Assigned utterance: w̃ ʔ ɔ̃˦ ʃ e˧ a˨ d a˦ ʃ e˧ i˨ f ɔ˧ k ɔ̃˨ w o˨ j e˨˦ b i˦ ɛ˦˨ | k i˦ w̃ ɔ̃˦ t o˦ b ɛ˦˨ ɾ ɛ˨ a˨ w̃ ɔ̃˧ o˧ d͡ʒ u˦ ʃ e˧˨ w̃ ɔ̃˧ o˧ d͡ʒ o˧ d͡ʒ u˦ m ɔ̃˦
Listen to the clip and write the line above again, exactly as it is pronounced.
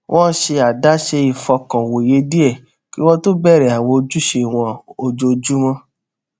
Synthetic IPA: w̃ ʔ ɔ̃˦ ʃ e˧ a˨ d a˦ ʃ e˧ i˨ f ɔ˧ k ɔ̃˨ w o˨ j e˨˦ d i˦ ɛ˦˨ | k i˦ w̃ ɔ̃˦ t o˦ b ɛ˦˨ ɾ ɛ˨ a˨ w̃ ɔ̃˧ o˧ d͡ʒ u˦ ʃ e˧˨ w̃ ɔ̃˧ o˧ d͡ʒ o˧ d͡ʒ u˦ m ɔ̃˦

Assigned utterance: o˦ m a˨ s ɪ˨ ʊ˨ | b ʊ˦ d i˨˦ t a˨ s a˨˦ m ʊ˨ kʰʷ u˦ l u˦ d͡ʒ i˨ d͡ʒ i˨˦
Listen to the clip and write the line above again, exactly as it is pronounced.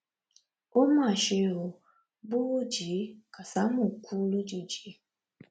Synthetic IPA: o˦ m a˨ ʃ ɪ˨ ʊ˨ | b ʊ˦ d͡ʒ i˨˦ k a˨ s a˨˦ m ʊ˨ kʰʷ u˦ l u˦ d͡ʒ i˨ d͡ʒ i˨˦

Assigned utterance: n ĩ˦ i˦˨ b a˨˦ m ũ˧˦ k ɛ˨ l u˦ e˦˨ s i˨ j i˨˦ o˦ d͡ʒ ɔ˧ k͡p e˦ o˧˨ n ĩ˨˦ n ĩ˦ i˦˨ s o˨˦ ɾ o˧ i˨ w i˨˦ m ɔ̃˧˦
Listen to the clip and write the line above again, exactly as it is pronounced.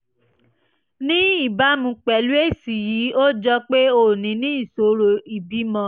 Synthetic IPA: n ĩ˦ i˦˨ b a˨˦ m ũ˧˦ k͡p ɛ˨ l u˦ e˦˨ s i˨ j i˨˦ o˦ d͡ʒ ɔ˧ k͡p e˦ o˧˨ n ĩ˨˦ n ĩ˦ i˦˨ s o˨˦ ɾ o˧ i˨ b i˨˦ m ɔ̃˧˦

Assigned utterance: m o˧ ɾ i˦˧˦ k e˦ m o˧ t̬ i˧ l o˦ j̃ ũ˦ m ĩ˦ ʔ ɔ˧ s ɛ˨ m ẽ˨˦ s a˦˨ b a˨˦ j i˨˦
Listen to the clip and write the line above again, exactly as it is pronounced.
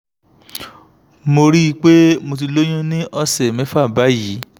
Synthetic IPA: m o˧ ɾ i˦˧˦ k͡p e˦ m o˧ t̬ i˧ l o˦ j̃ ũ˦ n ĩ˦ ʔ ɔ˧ s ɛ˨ m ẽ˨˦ f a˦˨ b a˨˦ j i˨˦

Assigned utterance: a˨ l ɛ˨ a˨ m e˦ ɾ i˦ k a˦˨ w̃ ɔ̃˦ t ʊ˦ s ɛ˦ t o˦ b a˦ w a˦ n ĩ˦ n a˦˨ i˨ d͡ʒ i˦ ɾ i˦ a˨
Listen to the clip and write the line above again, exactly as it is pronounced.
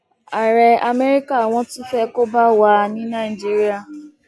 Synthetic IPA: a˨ ɾ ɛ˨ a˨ m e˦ ɾ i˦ k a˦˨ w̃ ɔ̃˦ t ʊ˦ f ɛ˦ k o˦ b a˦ w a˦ n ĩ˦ n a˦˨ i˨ d͡ʒ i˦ ɾ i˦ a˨

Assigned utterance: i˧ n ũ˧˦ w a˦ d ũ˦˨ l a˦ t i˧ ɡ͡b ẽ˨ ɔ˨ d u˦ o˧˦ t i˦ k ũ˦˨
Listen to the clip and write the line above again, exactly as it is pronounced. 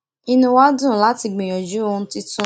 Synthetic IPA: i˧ n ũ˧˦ w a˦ d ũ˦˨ l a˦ t i˧ ɡ͡b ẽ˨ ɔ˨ d͡ʒ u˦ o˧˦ t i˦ t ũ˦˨

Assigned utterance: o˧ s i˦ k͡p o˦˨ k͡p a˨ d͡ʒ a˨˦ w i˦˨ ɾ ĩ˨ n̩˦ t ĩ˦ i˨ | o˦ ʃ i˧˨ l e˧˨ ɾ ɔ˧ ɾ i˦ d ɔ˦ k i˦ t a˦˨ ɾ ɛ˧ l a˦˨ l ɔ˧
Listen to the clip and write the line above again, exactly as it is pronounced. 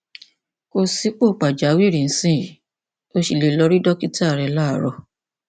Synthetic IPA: o˧ s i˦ k͡p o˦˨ k͡p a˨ d͡ʒ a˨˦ w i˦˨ ɾ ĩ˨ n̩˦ s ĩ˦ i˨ | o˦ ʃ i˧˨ l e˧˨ l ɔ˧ ɾ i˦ d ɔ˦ k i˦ t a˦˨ ɾ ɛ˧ l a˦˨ ɾ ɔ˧

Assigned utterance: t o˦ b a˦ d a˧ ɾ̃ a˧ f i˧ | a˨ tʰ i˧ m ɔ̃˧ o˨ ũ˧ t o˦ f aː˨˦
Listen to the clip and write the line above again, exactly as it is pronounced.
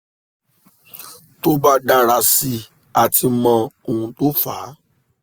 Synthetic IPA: t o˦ b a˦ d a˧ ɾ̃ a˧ s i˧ | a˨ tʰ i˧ m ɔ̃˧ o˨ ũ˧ t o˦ f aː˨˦

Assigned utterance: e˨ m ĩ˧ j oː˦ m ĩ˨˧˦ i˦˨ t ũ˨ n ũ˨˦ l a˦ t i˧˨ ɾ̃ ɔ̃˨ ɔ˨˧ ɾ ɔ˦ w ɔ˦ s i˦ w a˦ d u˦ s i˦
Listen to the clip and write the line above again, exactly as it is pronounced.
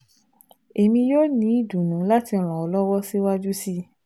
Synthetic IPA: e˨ m ĩ˧ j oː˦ n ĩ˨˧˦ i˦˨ d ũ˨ n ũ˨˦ l a˦ t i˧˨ ɾ̃ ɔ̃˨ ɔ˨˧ l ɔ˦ w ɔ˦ s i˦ w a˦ d͡ʒ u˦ s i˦

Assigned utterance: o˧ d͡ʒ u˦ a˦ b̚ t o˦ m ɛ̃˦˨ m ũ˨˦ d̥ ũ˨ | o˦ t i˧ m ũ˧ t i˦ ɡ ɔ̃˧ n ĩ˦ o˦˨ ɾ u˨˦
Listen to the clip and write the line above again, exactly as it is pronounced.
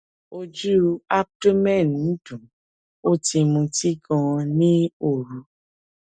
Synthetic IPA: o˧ d͡ʒ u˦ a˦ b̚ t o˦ m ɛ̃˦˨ n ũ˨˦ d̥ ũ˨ | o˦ t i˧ m ũ˧ t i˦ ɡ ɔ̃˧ n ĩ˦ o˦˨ ɾ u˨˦

